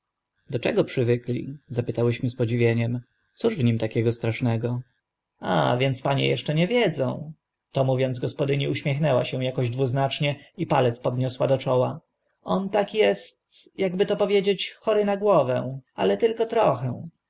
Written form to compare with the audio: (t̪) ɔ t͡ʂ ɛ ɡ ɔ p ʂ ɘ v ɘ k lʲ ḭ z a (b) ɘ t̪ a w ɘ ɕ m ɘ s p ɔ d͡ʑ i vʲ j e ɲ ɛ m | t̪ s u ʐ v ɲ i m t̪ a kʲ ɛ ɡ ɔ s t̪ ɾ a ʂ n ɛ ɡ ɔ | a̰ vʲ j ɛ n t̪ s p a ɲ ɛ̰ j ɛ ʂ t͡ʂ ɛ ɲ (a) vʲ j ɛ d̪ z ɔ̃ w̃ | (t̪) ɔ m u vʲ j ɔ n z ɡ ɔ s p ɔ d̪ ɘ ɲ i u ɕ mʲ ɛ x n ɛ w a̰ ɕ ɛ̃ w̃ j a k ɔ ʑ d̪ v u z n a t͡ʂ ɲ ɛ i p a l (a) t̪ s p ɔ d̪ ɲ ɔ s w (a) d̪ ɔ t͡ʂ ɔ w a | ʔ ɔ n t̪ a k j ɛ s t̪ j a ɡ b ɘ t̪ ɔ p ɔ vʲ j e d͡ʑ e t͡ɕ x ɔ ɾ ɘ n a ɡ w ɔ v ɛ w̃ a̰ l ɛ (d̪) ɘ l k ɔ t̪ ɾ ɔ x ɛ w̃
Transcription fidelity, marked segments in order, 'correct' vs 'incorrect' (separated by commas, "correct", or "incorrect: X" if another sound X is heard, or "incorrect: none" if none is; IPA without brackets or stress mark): incorrect: d̪, incorrect: p, incorrect: ɛ, correct, incorrect: ɛ, correct, incorrect: t̪